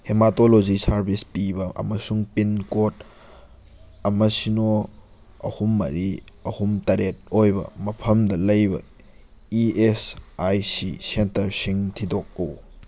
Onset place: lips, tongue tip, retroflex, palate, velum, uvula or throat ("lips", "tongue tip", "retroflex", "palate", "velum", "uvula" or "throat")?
throat